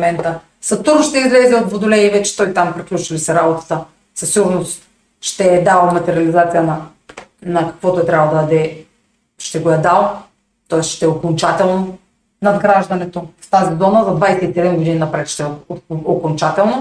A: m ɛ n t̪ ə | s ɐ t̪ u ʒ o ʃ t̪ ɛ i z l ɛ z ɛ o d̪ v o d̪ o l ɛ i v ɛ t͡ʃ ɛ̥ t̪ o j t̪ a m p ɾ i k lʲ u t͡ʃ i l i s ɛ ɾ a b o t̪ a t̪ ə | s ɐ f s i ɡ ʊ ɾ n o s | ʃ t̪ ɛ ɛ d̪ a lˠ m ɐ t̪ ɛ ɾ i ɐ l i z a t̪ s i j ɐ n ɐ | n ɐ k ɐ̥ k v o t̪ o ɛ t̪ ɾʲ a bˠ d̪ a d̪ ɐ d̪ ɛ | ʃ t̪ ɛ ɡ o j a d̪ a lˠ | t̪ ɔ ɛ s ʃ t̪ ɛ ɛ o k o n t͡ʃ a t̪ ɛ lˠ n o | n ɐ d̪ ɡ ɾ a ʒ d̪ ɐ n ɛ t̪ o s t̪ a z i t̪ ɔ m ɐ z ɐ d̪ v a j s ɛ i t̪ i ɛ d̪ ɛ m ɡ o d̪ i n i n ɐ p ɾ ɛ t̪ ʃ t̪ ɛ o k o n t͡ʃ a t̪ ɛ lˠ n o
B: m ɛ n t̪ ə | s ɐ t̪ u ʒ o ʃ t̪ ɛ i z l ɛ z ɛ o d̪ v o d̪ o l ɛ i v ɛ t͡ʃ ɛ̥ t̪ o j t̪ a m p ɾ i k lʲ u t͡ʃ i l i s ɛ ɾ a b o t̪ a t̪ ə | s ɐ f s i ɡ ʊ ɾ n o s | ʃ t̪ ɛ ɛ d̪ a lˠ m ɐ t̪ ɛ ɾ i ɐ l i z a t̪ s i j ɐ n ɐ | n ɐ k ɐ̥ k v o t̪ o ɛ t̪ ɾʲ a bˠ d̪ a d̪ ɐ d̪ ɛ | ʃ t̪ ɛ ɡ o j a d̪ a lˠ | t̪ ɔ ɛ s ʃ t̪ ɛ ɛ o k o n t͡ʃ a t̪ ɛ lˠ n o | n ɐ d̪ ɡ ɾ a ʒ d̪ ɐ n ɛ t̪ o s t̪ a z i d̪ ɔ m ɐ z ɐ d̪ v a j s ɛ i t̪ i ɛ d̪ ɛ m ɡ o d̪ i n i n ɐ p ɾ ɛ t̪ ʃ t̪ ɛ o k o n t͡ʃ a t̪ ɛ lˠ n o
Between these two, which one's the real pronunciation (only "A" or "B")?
B